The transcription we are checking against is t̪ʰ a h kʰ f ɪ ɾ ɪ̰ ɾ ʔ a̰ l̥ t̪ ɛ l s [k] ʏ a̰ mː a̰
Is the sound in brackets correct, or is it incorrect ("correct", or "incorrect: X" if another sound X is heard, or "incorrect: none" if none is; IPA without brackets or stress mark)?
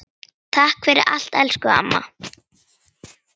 correct